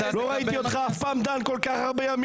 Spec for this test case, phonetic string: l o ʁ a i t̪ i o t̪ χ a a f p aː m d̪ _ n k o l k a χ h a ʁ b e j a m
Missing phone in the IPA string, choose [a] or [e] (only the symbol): a